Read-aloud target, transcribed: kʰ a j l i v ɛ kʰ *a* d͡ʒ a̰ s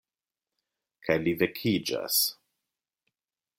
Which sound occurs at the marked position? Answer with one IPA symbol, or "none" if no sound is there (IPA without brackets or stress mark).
i